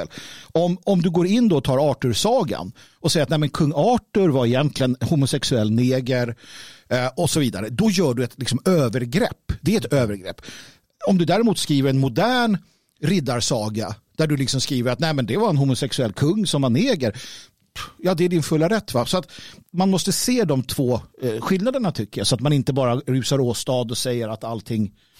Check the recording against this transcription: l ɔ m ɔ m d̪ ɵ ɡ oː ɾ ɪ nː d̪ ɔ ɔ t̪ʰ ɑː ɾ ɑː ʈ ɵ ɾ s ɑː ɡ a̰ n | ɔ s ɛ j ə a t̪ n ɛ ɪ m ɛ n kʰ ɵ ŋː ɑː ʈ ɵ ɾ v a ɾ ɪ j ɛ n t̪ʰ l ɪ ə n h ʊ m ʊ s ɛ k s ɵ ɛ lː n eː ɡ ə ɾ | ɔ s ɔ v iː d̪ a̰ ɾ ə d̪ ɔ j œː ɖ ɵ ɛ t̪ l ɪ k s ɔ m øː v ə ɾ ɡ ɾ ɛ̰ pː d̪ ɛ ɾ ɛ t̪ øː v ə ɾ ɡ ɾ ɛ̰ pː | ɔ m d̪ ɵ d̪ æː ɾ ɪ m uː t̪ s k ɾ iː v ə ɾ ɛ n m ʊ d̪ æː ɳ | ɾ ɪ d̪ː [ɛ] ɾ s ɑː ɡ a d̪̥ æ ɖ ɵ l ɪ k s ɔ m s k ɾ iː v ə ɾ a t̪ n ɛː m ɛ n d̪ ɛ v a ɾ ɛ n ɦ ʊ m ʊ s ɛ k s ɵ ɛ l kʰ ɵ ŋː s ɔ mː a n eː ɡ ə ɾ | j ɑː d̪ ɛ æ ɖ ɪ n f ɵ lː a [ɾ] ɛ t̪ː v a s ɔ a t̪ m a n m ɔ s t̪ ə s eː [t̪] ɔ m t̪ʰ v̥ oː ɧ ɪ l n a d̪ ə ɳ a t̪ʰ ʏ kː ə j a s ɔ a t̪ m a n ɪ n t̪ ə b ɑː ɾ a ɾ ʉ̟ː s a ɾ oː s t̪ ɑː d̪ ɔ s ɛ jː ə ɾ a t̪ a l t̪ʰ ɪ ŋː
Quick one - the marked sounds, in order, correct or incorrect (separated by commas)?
incorrect, correct, incorrect